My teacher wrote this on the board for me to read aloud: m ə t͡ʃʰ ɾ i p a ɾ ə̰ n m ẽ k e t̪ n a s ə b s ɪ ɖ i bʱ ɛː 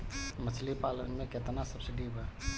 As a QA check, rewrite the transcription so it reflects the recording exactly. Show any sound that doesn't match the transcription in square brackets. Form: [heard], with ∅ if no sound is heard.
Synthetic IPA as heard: m ə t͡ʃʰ [l] i p a [l] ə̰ n m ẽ k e t̪ n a s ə b s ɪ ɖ i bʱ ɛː